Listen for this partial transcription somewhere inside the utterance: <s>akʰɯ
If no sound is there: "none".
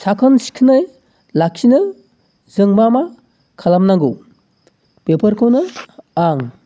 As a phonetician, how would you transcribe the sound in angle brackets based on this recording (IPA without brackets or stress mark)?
s